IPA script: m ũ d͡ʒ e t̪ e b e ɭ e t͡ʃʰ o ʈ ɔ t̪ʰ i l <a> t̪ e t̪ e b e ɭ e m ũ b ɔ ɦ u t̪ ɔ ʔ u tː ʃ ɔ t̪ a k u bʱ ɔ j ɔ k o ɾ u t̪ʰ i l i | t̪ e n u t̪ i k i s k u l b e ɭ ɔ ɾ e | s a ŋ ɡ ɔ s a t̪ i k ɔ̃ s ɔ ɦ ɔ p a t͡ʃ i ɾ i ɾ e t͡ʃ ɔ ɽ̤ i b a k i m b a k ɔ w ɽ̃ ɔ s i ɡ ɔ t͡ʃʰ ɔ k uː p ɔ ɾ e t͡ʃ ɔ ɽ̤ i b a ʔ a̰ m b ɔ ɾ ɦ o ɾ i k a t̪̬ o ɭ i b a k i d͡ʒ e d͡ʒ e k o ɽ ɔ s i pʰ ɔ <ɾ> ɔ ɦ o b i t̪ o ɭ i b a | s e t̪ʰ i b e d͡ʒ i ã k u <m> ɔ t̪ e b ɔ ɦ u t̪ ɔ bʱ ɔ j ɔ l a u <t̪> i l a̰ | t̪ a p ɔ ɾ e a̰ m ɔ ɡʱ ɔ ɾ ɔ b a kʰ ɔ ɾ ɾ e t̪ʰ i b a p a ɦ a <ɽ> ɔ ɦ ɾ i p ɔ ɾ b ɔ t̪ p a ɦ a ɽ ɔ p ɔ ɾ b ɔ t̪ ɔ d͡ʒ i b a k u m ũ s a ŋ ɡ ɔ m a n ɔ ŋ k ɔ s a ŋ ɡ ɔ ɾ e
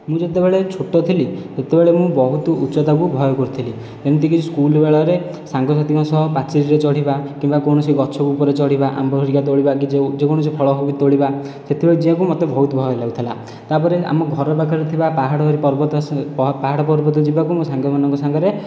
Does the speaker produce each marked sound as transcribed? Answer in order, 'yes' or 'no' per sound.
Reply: no, no, yes, no, yes

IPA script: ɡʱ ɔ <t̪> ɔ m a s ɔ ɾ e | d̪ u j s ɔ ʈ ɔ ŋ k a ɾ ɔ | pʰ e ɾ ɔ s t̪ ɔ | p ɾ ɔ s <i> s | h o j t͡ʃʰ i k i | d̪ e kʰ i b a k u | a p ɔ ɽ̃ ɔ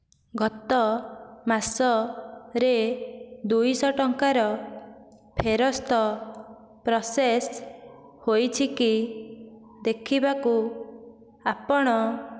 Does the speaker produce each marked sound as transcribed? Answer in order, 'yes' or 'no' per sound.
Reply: yes, no

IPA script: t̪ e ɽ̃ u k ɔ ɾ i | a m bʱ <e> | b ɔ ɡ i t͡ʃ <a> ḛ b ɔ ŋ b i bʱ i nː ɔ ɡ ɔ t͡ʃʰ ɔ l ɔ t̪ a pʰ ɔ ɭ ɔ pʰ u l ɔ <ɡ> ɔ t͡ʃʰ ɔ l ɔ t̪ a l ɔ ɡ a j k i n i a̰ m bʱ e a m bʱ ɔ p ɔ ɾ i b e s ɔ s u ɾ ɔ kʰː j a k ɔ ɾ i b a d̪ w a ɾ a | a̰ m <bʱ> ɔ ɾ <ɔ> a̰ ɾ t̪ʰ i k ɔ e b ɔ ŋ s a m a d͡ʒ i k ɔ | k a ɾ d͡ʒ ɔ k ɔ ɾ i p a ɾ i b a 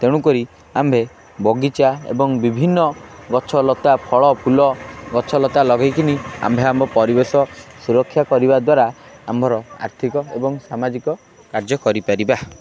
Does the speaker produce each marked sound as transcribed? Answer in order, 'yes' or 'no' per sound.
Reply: yes, yes, yes, yes, yes

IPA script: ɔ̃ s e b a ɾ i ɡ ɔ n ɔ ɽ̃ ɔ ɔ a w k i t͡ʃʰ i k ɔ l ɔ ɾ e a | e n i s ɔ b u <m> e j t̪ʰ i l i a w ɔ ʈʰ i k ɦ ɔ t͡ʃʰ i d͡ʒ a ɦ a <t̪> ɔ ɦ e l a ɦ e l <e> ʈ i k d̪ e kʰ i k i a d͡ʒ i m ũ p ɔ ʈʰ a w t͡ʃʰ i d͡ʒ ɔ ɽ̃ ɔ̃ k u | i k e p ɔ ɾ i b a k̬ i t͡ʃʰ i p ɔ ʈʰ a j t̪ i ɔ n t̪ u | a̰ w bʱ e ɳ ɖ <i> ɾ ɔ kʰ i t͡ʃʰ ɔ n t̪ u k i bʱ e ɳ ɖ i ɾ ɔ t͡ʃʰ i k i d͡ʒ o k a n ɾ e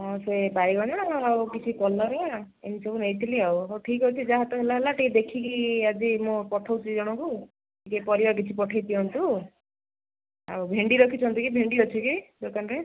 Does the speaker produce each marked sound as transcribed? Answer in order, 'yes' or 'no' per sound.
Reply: no, yes, no, yes

